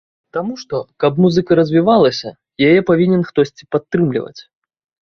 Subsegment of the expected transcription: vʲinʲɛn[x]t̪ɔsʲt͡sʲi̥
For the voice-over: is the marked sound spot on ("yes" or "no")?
yes